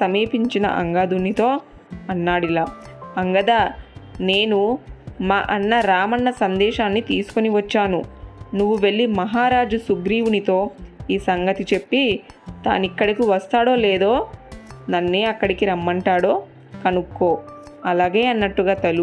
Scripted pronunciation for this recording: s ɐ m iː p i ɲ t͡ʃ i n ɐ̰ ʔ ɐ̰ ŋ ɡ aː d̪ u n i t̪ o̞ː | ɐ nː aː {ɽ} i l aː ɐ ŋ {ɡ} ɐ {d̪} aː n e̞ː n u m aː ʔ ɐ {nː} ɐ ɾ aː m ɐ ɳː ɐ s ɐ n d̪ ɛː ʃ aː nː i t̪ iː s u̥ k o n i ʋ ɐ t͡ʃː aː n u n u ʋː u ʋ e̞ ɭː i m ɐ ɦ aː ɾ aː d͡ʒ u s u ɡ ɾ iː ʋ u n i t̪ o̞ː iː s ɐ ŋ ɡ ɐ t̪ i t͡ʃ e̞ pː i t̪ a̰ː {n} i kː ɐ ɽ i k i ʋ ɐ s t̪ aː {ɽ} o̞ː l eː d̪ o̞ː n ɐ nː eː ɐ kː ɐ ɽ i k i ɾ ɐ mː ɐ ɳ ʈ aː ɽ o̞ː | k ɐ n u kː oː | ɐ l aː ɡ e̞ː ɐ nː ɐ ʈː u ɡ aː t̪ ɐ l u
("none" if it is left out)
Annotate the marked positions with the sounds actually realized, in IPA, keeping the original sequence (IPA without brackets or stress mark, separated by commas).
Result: ɽ, ɡ, d̪, nː, n, ɽ